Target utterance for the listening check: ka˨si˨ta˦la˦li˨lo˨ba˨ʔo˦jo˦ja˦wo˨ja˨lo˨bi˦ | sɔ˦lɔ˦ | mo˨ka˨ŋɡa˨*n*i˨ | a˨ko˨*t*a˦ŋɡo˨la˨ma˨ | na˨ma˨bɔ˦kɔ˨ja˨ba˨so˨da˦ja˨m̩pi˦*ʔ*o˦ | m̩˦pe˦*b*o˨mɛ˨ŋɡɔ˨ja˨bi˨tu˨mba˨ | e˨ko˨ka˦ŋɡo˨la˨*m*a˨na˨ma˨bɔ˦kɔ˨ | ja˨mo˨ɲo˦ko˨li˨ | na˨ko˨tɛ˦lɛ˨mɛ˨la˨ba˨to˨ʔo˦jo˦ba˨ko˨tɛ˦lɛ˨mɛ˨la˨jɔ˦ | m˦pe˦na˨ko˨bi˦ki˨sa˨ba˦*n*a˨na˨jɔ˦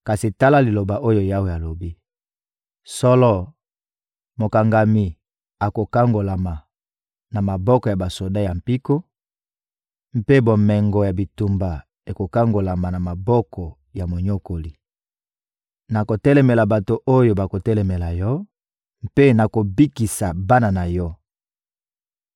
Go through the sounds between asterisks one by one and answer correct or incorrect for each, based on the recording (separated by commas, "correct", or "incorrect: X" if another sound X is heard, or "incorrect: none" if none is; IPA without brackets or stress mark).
incorrect: m, incorrect: k, incorrect: k, correct, correct, correct